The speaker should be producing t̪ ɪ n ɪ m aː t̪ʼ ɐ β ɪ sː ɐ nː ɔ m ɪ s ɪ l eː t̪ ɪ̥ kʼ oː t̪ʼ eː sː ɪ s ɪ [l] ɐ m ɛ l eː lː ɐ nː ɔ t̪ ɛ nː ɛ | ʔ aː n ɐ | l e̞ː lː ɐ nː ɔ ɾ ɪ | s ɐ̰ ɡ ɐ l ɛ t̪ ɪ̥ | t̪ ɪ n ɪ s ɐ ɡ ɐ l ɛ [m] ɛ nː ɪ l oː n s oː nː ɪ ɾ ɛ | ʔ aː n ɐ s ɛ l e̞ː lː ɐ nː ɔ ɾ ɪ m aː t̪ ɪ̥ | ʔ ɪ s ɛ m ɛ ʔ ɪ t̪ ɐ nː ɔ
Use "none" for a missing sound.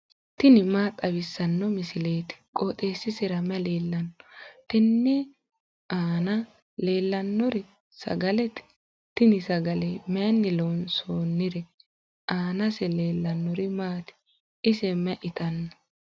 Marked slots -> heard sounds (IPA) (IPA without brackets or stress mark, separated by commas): ɾ, m